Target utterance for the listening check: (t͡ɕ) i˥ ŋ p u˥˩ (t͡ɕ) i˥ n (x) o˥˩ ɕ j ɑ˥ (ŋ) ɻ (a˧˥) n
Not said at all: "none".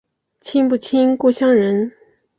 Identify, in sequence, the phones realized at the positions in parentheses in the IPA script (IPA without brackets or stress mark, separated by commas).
t͡ɕʰ, t͡ɕʰ, k, ŋ, ə˧˥